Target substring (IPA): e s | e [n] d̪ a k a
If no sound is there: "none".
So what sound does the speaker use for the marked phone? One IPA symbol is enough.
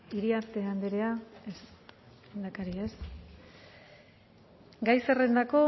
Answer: n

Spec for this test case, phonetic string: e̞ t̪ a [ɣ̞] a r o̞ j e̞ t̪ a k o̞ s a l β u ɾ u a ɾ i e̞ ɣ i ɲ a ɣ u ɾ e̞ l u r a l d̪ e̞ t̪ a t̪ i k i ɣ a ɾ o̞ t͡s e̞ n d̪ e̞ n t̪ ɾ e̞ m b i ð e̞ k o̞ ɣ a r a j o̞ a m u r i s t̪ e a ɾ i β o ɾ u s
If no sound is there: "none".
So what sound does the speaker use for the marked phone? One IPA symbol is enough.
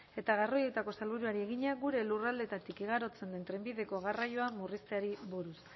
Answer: ɣ̞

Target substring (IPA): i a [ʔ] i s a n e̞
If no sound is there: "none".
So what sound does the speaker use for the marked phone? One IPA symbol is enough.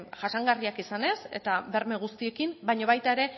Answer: k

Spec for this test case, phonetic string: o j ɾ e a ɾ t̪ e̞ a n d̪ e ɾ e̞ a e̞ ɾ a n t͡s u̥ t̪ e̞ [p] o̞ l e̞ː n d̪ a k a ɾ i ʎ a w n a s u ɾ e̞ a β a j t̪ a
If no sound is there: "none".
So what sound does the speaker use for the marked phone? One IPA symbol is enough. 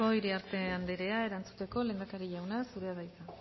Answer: k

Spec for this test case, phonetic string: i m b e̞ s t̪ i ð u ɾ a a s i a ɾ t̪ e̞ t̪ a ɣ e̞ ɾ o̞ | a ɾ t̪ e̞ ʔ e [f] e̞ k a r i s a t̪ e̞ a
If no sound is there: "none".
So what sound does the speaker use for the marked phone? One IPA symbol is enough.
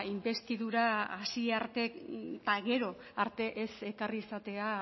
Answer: s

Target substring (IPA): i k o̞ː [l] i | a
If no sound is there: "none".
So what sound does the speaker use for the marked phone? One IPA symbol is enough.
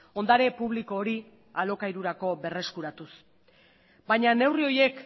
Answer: ɾ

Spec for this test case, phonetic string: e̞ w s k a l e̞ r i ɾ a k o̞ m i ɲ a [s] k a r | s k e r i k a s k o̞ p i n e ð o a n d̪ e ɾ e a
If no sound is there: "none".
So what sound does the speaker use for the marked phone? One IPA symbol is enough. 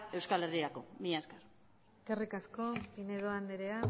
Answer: s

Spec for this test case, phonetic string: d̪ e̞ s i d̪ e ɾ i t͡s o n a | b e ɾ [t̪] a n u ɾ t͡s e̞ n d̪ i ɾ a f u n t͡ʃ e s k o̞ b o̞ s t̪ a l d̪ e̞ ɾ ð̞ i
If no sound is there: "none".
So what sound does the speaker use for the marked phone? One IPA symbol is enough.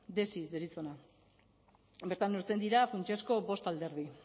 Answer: t̪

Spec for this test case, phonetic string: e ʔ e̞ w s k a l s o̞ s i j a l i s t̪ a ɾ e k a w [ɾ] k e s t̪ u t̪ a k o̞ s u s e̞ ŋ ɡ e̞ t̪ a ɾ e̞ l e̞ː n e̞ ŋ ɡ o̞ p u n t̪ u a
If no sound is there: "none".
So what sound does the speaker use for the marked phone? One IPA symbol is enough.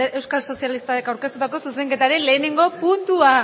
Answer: ɾ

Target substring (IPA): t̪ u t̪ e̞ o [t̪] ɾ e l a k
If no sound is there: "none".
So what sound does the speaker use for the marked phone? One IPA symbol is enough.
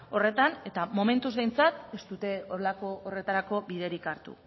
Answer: none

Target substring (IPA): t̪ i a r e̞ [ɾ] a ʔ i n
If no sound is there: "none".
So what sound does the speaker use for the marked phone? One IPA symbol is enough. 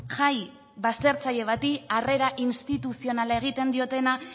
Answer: ɾ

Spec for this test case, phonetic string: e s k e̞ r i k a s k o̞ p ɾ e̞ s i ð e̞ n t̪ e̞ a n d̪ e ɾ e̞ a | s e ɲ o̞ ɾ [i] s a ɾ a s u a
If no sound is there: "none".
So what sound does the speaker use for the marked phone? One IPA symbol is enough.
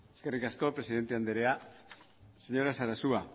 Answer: a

